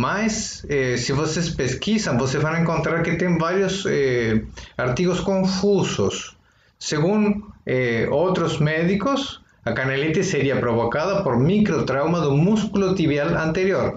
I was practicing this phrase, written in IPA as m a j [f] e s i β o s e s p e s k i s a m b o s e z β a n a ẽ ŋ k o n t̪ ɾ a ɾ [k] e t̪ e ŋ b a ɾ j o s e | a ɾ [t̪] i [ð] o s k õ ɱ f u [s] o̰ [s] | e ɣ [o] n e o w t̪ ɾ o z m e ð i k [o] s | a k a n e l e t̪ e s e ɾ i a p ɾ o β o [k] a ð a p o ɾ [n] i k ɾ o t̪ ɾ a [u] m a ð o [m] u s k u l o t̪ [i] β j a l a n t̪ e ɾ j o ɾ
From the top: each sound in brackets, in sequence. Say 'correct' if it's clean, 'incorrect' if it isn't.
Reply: incorrect: s, correct, correct, incorrect: ɣ, correct, incorrect: sː, incorrect: u, correct, correct, incorrect: m, incorrect: w, correct, correct

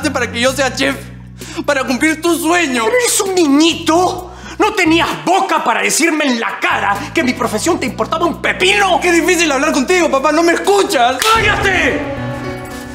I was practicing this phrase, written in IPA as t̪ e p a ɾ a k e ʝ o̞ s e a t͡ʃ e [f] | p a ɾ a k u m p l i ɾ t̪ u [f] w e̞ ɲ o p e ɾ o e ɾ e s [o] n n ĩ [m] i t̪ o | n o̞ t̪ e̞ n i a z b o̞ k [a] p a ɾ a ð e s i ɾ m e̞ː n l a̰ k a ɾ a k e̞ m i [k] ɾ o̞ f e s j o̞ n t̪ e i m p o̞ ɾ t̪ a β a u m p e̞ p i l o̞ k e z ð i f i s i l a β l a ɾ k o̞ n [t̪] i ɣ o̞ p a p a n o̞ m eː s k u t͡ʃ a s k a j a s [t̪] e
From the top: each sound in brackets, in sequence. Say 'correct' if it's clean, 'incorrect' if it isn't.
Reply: correct, incorrect: s, incorrect: u, incorrect: ɲ, correct, incorrect: p, correct, correct

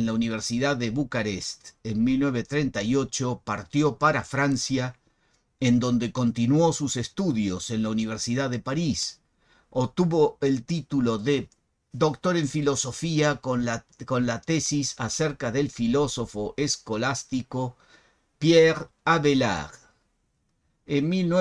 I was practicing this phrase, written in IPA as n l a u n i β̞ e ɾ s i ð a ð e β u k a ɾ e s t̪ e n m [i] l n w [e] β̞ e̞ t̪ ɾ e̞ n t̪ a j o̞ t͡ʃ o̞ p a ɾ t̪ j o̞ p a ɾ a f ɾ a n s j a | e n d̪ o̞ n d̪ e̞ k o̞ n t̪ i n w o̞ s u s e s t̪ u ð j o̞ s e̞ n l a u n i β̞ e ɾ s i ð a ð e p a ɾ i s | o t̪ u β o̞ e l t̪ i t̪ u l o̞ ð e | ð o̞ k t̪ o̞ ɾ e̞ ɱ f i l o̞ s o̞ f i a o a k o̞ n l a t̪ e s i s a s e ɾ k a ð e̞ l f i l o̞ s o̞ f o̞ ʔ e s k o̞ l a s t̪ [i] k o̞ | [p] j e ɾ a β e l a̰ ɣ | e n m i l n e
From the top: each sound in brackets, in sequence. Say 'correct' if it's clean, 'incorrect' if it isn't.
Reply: correct, correct, correct, correct

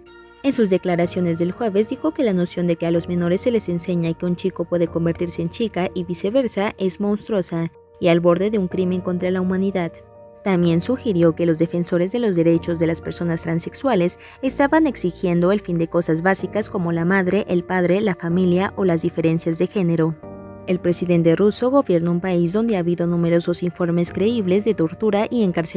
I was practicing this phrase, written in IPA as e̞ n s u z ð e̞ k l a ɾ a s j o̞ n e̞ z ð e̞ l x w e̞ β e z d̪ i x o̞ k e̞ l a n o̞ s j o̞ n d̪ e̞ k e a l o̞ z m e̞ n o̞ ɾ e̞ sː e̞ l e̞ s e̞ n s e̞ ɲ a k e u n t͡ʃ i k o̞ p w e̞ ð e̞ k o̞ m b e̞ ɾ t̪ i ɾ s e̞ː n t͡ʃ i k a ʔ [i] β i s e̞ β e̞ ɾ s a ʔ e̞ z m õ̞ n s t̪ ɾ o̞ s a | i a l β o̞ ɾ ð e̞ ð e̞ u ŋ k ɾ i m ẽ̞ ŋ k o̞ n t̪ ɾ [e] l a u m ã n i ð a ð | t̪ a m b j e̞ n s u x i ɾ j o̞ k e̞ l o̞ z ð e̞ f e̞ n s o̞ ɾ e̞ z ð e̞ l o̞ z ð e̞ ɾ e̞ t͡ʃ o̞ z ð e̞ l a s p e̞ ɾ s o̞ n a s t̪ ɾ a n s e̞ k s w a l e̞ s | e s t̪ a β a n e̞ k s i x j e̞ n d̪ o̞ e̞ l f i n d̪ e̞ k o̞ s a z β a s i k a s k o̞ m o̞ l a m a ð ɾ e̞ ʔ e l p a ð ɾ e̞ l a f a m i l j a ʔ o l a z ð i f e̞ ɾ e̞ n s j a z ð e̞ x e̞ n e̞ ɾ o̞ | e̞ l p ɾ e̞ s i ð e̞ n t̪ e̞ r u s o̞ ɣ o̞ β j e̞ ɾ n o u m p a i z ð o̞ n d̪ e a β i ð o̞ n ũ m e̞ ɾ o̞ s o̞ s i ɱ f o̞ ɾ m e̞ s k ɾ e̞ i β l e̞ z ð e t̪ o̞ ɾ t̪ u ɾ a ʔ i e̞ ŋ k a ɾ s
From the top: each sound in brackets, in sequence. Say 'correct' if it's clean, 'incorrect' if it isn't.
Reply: correct, incorrect: a

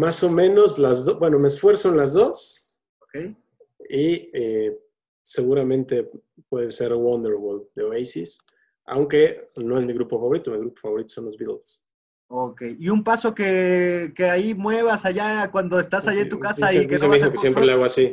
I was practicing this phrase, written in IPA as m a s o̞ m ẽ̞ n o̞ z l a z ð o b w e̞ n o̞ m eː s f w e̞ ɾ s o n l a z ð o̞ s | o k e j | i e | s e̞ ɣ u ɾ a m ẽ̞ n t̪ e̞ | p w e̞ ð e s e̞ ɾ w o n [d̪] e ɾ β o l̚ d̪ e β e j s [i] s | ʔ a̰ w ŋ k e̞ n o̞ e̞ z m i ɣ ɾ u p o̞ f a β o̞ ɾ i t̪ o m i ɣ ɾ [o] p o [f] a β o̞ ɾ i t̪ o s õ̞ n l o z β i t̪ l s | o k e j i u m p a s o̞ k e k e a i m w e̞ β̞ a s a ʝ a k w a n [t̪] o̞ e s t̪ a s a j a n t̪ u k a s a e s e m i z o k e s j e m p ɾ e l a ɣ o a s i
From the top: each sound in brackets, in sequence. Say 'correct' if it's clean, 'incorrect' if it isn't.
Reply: correct, correct, incorrect: u, correct, incorrect: d̪

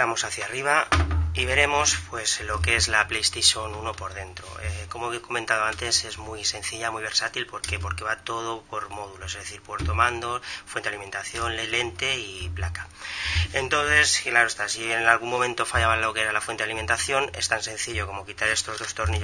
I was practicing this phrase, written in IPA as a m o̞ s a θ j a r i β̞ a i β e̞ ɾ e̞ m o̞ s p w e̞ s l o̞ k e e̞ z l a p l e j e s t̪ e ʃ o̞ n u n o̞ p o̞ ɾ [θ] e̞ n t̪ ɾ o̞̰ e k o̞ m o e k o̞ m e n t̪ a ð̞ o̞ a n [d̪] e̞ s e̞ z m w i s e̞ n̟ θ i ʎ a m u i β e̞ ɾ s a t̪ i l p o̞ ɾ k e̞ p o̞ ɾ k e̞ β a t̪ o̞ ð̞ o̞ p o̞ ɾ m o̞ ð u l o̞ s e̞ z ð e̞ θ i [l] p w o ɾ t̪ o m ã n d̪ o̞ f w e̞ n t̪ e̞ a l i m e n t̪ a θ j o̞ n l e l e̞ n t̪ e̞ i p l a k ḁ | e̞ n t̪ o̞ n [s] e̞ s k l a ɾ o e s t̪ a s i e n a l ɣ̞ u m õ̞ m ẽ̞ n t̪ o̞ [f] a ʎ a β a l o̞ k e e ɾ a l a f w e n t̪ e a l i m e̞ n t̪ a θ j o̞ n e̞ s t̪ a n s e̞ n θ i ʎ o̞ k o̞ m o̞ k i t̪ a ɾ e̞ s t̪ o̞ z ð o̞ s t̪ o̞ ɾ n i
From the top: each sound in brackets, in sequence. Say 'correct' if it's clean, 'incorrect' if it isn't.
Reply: incorrect: ð, incorrect: t̪, incorrect: ɾ, incorrect: θ, correct

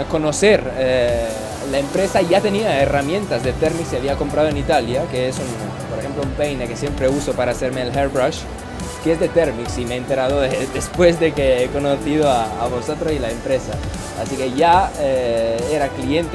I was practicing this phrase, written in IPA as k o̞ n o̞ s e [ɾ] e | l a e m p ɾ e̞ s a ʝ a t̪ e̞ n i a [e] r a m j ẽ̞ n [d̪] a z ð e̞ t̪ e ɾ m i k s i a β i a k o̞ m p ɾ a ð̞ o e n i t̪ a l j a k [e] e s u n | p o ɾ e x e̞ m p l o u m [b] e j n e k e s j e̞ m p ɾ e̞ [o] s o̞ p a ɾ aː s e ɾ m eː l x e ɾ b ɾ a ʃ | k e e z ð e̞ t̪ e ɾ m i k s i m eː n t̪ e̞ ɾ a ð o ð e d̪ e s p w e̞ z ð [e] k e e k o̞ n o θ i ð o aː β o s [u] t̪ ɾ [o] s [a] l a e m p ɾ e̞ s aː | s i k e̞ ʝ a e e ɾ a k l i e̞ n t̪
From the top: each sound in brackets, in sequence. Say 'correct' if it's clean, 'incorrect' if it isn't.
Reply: correct, correct, incorrect: t̪, correct, incorrect: p, incorrect: u, correct, incorrect: o, correct, incorrect: i

